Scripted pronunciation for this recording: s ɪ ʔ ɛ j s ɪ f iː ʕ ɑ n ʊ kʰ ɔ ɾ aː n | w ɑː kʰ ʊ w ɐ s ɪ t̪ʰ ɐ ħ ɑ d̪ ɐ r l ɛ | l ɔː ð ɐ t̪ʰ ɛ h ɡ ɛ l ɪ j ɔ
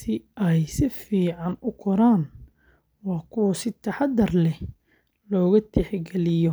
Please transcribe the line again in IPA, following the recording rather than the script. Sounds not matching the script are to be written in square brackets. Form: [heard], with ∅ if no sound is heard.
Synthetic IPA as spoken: s ɪ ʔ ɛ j s ɪ f iː ʕ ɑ n ʊ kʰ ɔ ɾ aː n | w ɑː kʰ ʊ w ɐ s ɪ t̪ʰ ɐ ħ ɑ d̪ ɐ r l ɛ | l ɔː [ɣ] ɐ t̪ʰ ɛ [ħ] ɡ ɛ l ɪ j ɔ